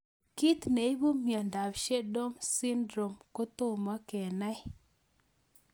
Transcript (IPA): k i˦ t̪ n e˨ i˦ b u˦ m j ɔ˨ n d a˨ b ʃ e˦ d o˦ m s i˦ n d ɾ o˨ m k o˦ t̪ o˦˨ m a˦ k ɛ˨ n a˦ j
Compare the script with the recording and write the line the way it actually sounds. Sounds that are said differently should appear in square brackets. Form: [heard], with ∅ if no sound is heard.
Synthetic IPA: k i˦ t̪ n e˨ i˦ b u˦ m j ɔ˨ n d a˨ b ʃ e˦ d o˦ m s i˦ n d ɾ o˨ m k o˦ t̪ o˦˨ m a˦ k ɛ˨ n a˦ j